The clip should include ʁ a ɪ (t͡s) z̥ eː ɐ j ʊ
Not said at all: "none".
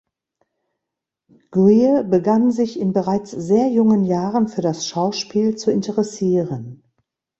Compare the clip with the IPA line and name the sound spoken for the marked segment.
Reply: t͡s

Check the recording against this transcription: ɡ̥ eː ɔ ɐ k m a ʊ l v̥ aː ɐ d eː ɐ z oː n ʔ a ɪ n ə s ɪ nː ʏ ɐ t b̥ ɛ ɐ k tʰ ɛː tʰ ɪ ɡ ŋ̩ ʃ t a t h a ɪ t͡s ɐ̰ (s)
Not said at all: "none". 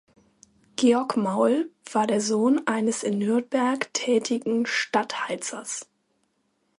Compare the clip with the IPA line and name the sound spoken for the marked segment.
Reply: s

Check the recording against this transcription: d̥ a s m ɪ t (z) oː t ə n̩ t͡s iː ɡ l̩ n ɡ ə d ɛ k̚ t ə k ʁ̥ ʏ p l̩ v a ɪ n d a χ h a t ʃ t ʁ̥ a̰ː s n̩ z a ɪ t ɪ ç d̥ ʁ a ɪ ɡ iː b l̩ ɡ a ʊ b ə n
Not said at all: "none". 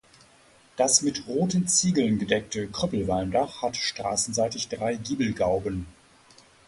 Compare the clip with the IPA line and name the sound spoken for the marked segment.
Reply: ʁ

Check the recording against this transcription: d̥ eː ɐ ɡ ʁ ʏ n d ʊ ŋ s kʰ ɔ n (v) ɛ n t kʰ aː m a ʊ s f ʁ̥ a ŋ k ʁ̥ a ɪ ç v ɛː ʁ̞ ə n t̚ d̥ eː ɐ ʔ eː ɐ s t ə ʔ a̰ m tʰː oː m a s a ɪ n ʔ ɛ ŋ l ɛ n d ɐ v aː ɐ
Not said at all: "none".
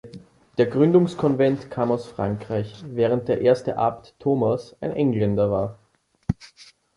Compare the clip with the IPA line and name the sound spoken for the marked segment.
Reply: v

